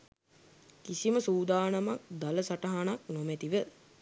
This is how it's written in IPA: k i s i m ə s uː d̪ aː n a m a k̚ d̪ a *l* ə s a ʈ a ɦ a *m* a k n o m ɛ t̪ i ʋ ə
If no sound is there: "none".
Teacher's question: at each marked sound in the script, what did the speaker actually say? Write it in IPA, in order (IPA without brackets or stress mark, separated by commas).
l, n